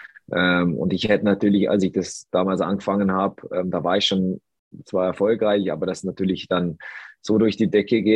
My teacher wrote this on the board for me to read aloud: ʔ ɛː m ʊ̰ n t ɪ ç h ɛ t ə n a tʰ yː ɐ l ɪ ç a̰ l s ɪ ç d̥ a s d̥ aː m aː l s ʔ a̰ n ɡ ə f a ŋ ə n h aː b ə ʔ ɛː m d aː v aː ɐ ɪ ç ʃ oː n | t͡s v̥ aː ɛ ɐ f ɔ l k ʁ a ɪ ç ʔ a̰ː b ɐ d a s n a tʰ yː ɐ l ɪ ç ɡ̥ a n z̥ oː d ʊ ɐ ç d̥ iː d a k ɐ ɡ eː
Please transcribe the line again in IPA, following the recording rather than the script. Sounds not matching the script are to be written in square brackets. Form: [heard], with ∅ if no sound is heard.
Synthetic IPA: ʔ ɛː m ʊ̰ n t ɪ ç h ɛ t ə n a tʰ yː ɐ l ɪ ç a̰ l s ɪ ç d̥ a s d̥ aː m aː l s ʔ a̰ n ɡ ə f a ŋ ə n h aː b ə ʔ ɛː m d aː v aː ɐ ɪ ç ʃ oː n | t͡s v̥ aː ɛ ɐ f ɔ l k ʁ a ɪ ç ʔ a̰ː b ɐ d a s n a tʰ yː ɐ l ɪ ç [d̥] a n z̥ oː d ʊ ɐ ç d̥ iː d [ɛ] k [ə] ɡ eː